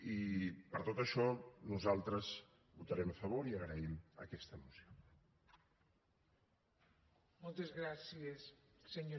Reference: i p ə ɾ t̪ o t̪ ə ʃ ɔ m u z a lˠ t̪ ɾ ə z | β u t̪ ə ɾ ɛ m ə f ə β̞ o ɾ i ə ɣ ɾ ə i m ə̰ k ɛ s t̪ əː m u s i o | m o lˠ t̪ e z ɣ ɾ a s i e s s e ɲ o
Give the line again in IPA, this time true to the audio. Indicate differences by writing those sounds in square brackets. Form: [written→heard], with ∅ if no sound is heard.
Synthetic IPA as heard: i p ə ɾ t̪ o t̪ ə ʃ ɔ [m→n] u z a lˠ t̪ ɾ ə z | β u t̪ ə ɾ ɛ m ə f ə β̞ o ɾ i ə ɣ ɾ ə i m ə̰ k ɛ s t̪ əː m u s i o | m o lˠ t̪ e z ɣ ɾ a s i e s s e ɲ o